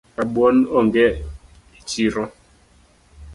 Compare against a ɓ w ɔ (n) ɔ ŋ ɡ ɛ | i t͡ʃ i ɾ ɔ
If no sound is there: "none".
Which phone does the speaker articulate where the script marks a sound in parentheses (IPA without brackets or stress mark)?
n